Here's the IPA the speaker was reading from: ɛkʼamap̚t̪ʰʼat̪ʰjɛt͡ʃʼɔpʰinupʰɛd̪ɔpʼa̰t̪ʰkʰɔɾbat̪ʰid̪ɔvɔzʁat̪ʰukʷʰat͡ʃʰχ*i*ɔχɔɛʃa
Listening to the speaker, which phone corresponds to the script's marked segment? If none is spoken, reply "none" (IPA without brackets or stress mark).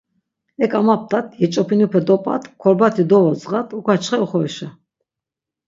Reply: ɛ